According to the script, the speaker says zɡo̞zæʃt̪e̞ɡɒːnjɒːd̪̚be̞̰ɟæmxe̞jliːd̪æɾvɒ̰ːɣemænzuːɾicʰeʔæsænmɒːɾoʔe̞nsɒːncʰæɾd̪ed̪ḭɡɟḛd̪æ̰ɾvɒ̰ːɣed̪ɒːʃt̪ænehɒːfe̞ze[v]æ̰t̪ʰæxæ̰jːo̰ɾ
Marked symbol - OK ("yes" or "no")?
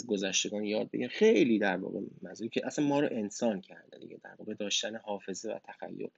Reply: yes